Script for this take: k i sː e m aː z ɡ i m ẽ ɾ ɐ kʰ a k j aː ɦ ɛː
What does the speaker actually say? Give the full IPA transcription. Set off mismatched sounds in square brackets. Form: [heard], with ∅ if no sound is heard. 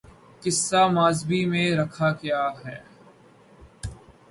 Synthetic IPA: k [ɪ] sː [a] m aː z [b] i m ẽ ɾ ɐ kʰ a k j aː ɦ ɛː